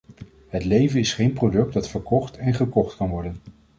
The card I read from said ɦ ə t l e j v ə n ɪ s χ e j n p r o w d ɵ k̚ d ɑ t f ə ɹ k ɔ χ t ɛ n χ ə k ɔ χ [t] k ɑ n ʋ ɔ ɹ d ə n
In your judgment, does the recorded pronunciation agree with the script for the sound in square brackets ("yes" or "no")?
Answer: yes